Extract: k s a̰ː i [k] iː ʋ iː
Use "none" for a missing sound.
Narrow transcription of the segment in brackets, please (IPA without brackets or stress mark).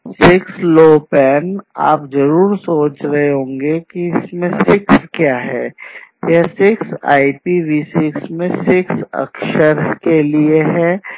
p